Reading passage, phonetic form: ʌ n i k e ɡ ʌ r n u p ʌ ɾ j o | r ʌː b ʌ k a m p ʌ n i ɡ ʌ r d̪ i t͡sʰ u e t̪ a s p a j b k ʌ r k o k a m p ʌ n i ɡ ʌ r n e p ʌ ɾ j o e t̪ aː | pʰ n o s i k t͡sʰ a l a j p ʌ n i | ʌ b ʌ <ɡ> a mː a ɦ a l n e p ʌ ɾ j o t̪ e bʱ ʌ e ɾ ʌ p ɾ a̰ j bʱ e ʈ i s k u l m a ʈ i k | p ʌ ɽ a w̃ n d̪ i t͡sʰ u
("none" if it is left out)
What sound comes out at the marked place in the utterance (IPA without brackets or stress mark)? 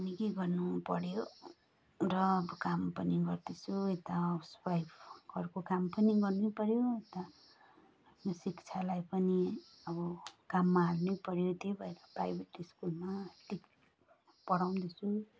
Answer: k